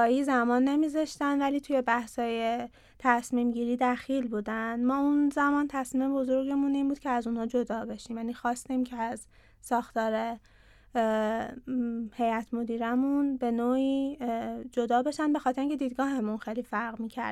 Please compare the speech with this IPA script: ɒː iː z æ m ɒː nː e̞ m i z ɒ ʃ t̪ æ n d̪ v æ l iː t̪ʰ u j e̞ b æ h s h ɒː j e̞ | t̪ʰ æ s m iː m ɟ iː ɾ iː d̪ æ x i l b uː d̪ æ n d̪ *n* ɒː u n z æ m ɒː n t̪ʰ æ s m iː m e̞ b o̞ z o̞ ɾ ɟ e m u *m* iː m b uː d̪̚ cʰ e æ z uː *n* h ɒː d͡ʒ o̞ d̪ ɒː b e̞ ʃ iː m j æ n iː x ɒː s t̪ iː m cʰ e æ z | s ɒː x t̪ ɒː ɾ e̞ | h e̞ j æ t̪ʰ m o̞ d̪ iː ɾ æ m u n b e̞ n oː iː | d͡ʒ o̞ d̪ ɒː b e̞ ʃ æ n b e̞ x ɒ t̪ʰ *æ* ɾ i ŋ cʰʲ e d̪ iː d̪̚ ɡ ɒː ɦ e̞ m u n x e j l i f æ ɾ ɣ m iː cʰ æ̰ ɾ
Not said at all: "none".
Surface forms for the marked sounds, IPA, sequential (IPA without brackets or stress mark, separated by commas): m, n, n, e